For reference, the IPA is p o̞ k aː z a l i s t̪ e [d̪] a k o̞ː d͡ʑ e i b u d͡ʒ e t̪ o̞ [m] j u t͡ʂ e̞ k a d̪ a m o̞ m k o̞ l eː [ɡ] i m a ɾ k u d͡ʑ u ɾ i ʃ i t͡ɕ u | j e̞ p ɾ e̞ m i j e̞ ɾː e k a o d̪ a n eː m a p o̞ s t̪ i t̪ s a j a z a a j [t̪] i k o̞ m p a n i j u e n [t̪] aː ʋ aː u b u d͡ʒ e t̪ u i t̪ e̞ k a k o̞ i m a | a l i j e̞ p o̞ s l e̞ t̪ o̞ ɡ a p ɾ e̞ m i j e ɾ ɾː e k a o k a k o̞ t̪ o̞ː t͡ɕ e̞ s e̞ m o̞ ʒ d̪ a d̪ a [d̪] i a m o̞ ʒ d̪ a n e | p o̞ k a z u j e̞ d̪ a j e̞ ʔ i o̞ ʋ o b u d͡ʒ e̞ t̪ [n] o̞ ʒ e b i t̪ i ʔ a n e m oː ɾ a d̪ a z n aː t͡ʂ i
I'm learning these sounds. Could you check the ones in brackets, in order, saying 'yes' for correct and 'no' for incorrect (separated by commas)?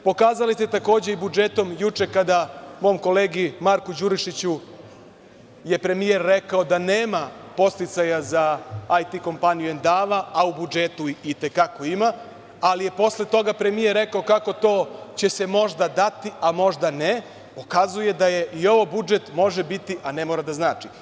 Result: no, yes, yes, yes, no, no, no